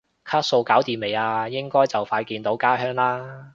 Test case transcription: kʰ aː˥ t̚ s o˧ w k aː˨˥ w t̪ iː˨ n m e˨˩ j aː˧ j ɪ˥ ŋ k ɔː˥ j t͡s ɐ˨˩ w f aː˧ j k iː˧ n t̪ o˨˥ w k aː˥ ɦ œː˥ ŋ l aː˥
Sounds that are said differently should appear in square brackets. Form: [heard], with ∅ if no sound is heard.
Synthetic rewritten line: kʰ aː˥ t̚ s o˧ w k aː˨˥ w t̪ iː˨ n m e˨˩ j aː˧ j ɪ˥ ŋ k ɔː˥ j t͡s ɐ˨˩ w f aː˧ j k iː˧ n t̪ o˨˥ w k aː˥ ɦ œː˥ ŋ l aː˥

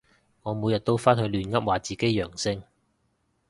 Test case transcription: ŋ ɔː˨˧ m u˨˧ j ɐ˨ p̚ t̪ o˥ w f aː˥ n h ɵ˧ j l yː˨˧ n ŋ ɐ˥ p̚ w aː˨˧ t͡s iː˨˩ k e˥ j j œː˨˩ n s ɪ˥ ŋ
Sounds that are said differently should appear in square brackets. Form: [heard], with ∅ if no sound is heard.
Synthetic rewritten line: ŋ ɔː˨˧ m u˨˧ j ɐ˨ [t̚] t̪ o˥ w f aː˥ n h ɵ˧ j l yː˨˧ n ŋ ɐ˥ p̚ w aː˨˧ t͡s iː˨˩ k e˥ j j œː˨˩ [ŋ] s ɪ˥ ŋ

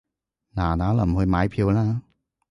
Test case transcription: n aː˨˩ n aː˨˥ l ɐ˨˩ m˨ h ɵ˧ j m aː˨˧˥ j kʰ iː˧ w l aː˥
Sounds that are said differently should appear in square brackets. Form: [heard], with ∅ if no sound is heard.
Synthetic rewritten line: n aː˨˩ n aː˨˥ l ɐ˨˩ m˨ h ɵ˧ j m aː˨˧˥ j [pʰ] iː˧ w l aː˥

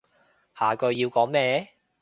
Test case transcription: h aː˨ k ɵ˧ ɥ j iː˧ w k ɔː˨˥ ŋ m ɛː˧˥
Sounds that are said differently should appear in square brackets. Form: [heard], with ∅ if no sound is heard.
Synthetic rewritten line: h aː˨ k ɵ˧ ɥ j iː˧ w k ɔː˨˥ ŋ m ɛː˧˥

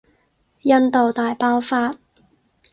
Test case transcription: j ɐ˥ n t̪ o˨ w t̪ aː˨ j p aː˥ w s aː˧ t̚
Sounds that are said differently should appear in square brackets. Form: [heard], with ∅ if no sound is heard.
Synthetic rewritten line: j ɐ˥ n t̪ o˨ w t̪ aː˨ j p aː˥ w [f] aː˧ t̚

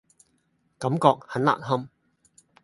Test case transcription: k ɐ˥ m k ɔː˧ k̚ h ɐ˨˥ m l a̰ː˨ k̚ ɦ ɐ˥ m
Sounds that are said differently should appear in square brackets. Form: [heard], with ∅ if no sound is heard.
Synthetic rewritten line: k [ɐ˨˥] m k ɔː˧ k̚ h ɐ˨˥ [n] l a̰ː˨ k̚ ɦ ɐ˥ m

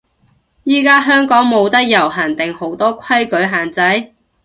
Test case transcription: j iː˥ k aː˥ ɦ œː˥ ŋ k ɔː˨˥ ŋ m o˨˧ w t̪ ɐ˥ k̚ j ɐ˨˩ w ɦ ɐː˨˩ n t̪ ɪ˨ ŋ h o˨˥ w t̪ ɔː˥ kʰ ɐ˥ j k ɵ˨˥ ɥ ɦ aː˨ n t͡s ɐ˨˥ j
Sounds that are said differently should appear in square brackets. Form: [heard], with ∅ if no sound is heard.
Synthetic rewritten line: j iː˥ k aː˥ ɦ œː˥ ŋ k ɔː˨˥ ŋ m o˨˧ w t̪ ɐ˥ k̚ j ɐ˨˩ w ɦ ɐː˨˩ n t̪ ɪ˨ ŋ h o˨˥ w t̪ ɔː˥ kʰ ɐ˥ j k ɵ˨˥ ɥ ɦ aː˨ n t͡s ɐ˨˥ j

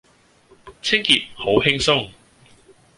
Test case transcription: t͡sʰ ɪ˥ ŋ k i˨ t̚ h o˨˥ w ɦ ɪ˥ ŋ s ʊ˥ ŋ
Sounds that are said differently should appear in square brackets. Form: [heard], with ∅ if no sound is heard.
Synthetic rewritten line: t͡sʰ ɪ˥ ŋ k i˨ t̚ h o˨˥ w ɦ ɪ˥ ŋ s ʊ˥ ŋ

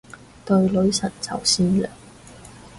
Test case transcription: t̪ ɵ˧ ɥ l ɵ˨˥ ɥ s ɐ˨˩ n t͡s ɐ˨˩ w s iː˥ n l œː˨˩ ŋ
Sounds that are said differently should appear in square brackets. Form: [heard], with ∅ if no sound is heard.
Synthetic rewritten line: t̪ ɵ˧ ɥ l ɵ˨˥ ɥ s ɐ˨˩ n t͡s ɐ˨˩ w s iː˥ n l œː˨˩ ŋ

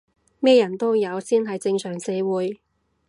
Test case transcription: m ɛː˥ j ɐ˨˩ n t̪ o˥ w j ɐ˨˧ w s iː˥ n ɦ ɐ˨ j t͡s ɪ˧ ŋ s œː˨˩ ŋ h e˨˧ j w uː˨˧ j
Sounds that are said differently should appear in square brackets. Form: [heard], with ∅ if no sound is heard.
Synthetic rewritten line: m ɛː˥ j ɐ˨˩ n t̪ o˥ w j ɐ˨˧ w s iː˥ n ɦ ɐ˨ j t͡s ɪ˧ ŋ s œː˨˩ ŋ [s] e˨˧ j w uː˨˧ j

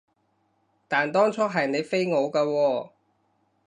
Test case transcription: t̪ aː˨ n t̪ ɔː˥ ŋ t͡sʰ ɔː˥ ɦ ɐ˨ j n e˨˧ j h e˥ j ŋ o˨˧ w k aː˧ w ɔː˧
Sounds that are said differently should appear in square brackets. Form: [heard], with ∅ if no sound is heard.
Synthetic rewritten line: t̪ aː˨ n t̪ ɔː˥ ŋ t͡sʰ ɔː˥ ɦ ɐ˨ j n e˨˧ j [f] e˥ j ŋ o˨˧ w k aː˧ w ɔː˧

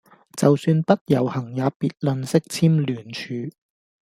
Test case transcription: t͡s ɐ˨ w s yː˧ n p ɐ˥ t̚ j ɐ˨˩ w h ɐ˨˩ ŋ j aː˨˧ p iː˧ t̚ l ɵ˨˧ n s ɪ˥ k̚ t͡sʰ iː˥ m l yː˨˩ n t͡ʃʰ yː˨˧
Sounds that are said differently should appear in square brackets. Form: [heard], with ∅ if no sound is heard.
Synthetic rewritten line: t͡s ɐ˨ w s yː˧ n p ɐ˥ t̚ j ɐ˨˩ w h ɐ˨˩ ŋ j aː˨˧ p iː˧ t̚ l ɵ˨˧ n s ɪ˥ k̚ t͡sʰ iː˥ m l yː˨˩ n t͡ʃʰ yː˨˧

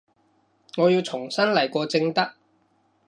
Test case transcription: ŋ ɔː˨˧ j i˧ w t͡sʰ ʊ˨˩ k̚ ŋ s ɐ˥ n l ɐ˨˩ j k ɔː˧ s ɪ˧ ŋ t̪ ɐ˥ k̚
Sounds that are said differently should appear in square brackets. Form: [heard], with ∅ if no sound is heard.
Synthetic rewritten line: ŋ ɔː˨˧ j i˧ w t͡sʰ ʊ˨˩ [∅] ŋ s ɐ˥ n l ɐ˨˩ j k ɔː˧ [t͡s] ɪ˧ ŋ t̪ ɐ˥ k̚

